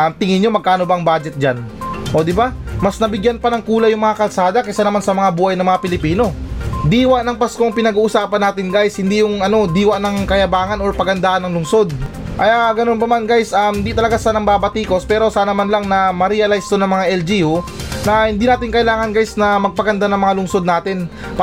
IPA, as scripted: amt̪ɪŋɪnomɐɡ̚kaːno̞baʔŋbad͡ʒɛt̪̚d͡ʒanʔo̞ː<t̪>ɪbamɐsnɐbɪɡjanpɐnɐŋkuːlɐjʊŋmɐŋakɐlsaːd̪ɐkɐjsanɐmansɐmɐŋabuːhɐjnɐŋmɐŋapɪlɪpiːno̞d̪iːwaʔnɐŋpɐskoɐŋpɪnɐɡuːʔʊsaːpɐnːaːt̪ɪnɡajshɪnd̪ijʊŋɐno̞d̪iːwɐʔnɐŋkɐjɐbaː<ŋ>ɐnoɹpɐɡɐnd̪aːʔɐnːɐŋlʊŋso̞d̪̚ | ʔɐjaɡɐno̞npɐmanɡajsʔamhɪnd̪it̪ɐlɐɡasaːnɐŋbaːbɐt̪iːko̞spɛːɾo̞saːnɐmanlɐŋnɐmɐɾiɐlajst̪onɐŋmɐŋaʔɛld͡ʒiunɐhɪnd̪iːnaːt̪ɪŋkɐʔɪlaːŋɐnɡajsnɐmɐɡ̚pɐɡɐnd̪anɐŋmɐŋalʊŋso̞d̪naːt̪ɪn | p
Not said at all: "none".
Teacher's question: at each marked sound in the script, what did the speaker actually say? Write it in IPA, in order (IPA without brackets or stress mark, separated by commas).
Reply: d̪, ŋ